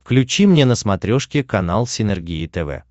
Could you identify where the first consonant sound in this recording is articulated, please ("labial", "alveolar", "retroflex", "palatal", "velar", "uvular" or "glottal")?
labial